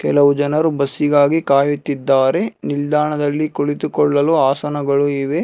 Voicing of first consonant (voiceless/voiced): voiceless